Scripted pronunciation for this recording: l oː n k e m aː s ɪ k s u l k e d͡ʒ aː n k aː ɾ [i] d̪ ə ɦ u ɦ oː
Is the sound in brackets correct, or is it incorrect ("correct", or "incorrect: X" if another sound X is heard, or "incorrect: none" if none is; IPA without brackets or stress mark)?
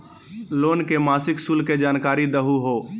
correct